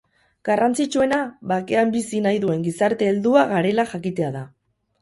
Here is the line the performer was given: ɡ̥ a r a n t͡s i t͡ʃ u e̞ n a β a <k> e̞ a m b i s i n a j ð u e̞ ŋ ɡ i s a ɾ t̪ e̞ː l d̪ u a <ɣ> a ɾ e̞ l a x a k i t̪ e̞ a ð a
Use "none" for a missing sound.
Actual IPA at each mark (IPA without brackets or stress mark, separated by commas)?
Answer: k, ɣ